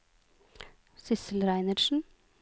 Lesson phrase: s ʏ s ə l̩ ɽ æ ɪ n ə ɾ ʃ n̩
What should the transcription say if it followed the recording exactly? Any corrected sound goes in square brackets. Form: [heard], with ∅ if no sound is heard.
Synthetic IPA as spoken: s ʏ s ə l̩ [ɾ] æ ɪ n ə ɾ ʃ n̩